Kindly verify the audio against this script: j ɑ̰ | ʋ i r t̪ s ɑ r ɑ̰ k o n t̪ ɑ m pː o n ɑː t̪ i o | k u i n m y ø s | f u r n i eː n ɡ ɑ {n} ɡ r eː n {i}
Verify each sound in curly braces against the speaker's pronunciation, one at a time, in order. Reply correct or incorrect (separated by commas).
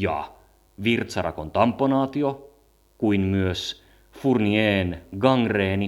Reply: incorrect, correct